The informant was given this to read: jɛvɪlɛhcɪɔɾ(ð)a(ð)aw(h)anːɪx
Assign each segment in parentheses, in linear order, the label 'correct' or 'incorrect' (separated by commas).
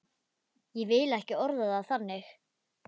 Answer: correct, correct, incorrect